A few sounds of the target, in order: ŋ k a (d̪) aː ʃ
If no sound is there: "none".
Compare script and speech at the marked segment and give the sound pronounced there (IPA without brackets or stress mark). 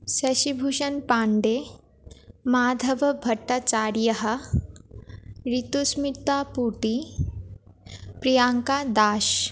d̪